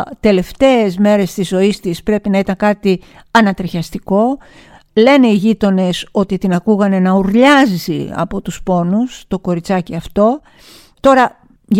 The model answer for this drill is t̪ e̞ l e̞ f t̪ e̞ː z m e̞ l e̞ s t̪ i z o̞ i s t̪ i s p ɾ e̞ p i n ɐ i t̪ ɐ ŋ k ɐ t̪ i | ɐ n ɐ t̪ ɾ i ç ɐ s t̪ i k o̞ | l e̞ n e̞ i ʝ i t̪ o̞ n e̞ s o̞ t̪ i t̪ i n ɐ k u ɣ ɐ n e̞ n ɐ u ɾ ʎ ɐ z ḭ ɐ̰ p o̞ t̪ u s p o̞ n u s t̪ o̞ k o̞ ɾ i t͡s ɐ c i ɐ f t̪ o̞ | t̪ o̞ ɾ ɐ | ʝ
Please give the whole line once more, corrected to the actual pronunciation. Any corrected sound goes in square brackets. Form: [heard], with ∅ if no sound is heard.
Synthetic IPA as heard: t̪ e̞ l e̞ f t̪ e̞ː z m e̞ [ɾ] e̞ s t̪ i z o̞ i s t̪ i s p ɾ e̞ p i n ɐ i t̪ ɐ ŋ k ɐ t̪ i | ɐ n ɐ t̪ ɾ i ç ɐ s t̪ i k o̞ | l e̞ n e̞ i ʝ i t̪ o̞ n e̞ s o̞ t̪ i t̪ i n ɐ k u ɣ ɐ n e̞ n ɐ u ɾ ʎ ɐ z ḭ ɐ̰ p o̞ t̪ u s p o̞ n u s t̪ o̞ k o̞ ɾ i t͡s ɐ c i ɐ f t̪ o̞ | t̪ o̞ ɾ ɐ | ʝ